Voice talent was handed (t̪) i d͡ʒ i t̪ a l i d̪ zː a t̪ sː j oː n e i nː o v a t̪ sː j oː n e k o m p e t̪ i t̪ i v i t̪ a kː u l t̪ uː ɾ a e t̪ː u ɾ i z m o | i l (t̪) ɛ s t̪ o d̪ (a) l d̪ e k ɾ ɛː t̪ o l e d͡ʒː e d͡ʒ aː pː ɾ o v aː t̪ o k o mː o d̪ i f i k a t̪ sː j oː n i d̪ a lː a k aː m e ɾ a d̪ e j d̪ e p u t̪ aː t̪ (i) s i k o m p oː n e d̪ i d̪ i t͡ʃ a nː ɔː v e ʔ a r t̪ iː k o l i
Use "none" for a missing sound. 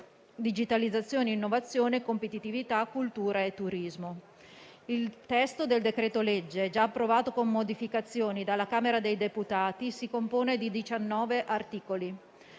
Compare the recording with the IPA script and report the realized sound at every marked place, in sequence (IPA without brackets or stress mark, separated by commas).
d̪, t̪, e, i